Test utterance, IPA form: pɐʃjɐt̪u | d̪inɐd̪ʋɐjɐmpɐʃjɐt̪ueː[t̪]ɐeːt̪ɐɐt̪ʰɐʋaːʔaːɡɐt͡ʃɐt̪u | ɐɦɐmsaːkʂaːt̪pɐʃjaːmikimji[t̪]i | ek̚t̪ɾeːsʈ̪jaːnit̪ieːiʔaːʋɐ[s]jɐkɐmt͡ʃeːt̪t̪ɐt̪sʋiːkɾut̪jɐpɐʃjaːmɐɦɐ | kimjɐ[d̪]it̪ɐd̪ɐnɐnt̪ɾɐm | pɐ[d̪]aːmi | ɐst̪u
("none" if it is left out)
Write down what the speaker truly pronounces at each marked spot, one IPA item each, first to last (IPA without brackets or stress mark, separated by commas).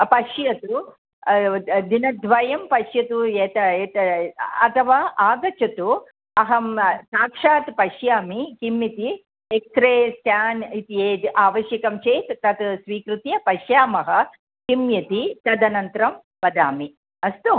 t̪, t̪, ʃ, t̪, d̪